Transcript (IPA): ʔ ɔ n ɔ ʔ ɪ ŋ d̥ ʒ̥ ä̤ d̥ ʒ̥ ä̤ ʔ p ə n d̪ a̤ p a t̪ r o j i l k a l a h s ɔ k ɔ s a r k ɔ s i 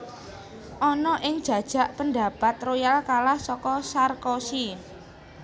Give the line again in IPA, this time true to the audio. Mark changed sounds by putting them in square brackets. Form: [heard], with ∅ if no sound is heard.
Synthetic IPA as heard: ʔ ɔ n ɔ ʔ ɪ ŋ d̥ ʒ̥ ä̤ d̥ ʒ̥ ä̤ ʔ p ə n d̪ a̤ p a t̪ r o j [a] l k a l a h s ɔ k ɔ s a r k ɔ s i